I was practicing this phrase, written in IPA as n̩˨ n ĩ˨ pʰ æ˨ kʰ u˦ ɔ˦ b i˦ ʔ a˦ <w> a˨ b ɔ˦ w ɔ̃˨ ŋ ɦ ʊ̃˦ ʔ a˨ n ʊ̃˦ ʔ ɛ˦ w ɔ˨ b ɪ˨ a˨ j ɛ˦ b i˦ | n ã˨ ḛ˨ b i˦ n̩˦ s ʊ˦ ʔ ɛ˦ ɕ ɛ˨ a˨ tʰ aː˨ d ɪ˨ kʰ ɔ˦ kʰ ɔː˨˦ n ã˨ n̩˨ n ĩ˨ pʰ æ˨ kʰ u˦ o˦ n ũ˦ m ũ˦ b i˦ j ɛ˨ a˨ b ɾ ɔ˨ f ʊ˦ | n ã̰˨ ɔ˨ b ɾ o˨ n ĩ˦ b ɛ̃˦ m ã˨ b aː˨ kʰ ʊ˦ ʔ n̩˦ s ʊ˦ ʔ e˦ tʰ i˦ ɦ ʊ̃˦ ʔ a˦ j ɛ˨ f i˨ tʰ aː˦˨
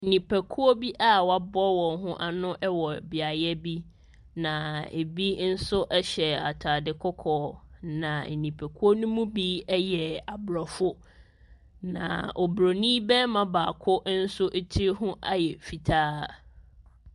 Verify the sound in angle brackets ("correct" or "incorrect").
correct